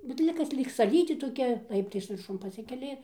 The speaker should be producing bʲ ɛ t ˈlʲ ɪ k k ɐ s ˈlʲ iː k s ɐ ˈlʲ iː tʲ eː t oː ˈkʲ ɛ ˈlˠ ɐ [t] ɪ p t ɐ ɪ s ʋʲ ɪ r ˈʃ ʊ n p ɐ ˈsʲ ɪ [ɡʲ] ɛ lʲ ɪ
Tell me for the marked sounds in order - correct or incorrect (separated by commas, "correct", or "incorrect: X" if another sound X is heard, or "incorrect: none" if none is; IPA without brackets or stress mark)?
incorrect: none, incorrect: kʲ